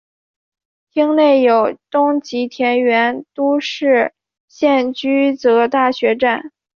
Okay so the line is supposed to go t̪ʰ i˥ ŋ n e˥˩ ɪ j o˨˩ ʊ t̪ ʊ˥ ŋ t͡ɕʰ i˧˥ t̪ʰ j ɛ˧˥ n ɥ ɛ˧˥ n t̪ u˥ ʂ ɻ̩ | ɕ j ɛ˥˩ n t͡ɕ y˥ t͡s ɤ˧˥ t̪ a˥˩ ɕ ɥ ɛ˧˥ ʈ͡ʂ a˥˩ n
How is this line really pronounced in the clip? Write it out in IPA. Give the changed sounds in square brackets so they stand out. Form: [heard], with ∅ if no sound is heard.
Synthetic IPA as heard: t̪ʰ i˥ ŋ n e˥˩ ɪ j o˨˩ ʊ t̪ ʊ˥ ŋ [t͡ɕ] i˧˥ t̪ʰ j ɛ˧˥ n ɥ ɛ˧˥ n t̪ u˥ ʂ ɻ̩ | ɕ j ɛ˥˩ n t͡ɕ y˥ t͡s ɤ˧˥ t̪ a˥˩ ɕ ɥ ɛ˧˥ ʈ͡ʂ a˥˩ n